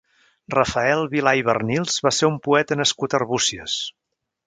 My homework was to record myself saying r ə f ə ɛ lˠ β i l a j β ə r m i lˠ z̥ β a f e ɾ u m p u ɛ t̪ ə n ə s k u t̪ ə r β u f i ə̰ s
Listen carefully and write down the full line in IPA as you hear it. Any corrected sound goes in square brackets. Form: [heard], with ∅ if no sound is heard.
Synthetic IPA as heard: r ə f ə ɛ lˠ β i l a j β ə r [n] i lˠ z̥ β a [s] e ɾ u m p u ɛ t̪ ə n ə s k u t̪ ə r β u [s] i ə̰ s